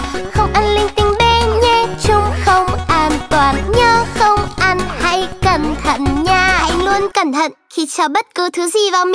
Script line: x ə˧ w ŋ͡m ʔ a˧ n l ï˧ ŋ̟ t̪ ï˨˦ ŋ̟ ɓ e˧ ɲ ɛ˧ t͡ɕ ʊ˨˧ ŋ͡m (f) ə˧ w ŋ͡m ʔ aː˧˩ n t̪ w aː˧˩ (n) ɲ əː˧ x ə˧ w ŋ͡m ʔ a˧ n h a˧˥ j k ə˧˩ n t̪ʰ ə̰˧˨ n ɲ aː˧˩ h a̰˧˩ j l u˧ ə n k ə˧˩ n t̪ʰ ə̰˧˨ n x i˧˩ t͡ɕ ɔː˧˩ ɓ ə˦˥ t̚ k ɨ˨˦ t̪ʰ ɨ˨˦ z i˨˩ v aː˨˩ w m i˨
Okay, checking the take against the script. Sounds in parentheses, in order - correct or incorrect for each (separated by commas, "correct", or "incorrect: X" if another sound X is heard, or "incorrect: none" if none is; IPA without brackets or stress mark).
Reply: incorrect: x, correct